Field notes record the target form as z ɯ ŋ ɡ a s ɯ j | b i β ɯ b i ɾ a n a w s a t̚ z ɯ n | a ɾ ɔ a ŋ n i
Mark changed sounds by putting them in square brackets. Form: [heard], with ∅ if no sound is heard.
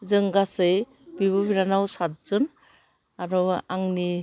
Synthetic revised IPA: z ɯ ŋ ɡ a s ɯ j | b i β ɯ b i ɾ a n a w s a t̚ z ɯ n | a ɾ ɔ a ŋ n i